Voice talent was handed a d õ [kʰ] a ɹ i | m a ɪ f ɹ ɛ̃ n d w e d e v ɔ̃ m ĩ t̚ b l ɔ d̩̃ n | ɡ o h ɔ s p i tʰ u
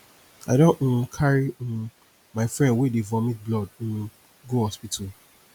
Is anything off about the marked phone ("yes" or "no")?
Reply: no